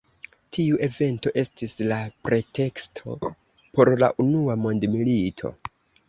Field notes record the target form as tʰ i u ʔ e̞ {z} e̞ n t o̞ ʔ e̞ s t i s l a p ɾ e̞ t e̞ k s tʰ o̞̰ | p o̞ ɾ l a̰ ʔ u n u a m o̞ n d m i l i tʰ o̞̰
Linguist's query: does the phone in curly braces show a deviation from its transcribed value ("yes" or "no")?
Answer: yes